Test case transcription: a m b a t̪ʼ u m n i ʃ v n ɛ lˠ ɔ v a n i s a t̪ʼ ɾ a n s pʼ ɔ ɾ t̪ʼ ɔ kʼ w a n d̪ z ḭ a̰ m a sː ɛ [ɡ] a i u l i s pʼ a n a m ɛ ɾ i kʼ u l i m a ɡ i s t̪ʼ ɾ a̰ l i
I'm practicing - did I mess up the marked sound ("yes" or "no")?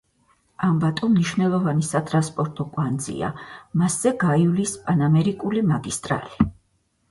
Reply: no